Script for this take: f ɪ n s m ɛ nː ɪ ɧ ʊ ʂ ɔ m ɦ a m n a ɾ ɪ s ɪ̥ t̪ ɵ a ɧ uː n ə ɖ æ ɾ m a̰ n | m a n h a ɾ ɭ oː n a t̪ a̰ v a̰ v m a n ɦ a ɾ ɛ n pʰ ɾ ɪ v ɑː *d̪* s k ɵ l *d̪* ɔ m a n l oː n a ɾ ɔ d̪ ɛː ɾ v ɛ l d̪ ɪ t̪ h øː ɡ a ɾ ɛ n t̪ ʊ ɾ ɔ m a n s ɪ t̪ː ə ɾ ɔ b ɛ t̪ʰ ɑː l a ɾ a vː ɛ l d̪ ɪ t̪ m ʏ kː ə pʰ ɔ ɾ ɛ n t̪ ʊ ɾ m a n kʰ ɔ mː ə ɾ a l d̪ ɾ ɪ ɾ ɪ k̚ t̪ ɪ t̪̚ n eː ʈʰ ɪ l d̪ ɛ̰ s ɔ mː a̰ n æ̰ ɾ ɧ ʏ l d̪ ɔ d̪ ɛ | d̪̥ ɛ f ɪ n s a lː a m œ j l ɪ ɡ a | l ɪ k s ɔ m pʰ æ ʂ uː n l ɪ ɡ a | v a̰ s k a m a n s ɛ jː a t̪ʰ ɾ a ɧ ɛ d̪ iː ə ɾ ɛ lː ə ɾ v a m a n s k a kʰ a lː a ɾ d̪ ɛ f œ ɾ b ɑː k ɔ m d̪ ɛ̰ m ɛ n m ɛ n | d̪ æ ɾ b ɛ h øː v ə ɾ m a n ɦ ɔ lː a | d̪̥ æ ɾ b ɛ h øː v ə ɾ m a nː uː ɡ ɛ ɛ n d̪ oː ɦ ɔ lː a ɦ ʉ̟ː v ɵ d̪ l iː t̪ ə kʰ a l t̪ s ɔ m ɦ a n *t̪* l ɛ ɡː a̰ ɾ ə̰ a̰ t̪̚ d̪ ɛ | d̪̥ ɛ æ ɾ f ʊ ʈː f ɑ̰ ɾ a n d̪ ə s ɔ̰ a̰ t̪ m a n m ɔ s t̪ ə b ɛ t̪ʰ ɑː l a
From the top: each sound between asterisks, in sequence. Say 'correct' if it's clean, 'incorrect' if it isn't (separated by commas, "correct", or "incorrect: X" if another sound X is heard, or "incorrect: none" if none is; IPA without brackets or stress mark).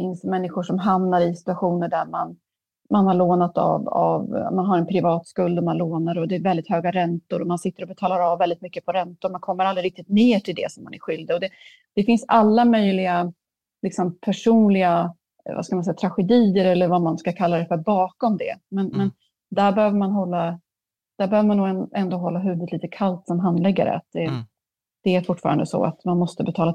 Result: incorrect: t̪, correct, incorrect: d̪